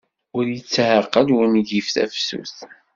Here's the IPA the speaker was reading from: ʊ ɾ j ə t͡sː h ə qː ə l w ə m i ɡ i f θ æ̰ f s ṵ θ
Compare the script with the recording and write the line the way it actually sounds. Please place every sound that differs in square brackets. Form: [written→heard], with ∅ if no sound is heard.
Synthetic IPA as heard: ʊ ɾ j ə t͡sː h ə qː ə l w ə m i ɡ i f θ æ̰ f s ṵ θ